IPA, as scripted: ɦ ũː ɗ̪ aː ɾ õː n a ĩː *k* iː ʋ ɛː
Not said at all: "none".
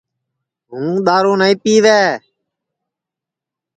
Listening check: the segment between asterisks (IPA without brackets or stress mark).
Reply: p